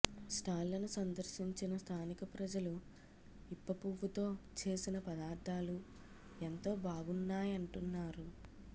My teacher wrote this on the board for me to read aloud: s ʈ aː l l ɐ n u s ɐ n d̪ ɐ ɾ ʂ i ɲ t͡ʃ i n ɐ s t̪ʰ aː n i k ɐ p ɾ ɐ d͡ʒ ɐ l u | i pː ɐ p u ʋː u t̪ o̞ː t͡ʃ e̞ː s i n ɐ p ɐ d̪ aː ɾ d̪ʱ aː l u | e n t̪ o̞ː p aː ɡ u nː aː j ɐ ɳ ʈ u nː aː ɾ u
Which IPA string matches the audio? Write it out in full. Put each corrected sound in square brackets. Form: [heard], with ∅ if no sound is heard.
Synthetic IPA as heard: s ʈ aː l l ɐ n u s ɐ n d̪ ɐ ɾ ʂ i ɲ t͡ʃ i n ɐ s t̪ʰ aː n i k ɐ p ɾ ɐ d͡ʒ ɐ l u | i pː ɐ p u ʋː u t̪ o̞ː t͡ʃ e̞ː s i n ɐ p ɐ d̪ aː ɾ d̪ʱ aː l u | e n t̪ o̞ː [b] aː ɡ u nː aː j ɐ ɳ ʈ u nː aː ɾ u